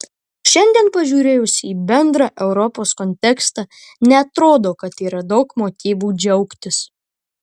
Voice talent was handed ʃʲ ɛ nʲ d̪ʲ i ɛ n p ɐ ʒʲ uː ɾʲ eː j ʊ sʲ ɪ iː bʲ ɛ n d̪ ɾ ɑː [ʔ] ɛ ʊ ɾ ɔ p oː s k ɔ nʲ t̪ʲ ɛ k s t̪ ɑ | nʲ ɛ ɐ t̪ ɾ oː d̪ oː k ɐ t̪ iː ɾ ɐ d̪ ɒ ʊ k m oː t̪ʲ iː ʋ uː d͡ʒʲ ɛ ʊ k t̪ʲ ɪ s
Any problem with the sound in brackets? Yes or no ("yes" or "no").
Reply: no